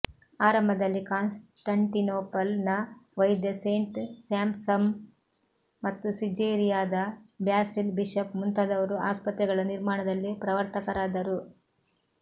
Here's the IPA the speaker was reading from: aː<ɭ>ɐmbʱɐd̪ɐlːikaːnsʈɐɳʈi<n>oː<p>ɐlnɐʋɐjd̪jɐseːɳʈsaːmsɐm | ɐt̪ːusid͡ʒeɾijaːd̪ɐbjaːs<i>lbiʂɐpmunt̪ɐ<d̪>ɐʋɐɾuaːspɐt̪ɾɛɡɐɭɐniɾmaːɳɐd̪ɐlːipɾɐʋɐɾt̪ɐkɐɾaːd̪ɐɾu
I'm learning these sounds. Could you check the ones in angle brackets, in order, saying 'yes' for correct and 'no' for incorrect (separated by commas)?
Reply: no, yes, yes, yes, yes